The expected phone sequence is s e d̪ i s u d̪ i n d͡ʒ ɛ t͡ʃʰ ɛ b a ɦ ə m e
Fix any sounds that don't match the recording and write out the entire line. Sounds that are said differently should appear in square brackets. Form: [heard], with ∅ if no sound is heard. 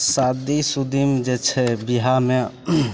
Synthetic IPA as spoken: s [a] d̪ i s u d̪ i [m] d͡ʒ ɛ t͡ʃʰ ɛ b [i] ɦ [a] m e